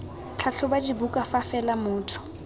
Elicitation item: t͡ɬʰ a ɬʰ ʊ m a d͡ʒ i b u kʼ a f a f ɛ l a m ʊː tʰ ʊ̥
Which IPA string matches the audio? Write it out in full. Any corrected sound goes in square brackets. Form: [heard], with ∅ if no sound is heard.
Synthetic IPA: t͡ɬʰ a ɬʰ ʊ [b] a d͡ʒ i b u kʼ a f a f ɛ l a m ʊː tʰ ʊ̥